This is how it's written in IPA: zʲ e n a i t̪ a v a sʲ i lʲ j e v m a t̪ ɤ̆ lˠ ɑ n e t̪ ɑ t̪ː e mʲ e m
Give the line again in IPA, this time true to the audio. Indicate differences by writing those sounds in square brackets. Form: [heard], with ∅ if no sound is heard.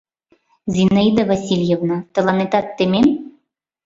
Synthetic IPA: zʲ [i] n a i [d̪] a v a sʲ i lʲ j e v [n] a t̪ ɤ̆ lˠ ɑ n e t̪ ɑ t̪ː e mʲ e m